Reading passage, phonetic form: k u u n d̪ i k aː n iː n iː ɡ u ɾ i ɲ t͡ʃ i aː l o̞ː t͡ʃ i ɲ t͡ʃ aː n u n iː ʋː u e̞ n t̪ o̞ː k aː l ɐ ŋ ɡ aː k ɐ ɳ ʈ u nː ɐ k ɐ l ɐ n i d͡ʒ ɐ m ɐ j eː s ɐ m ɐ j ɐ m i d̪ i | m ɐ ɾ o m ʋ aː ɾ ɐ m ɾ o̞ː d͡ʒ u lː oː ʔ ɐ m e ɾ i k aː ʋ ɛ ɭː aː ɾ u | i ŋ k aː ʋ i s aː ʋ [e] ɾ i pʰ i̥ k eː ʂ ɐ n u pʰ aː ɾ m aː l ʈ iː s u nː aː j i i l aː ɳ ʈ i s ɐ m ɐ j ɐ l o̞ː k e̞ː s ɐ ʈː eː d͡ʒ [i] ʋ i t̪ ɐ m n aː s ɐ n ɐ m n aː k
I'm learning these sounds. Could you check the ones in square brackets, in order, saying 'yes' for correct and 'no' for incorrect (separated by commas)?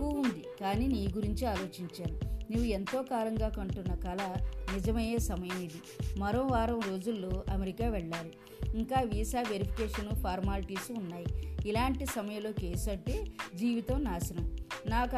yes, no